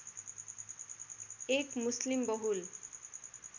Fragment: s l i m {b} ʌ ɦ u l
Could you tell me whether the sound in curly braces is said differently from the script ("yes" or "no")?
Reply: no